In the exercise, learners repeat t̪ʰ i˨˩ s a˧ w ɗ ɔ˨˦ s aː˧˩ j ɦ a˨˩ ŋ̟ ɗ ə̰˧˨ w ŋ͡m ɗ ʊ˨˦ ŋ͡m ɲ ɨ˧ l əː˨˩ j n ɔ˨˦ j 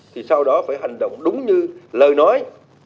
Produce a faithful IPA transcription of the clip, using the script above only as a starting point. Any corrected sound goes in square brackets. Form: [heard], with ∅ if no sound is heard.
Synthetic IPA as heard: t̪ʰ i˨˩ s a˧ w ɗ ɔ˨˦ [f] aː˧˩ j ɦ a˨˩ ŋ̟ ɗ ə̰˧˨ w ŋ͡m ɗ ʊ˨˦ ŋ͡m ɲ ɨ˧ l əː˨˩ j n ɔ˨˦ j